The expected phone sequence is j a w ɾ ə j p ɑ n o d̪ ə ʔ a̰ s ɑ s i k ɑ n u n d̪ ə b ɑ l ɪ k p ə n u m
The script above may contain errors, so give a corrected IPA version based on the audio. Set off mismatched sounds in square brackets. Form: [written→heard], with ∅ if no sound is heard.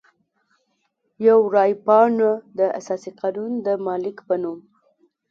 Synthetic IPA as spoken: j a w ɾ [ə→ɑ] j p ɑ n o d̪ ə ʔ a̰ s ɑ s i [k→q] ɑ n u n d̪ ə [b→m] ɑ l ɪ k p ə n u m